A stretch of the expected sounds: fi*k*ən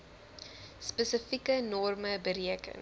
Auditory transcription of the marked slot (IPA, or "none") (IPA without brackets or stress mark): k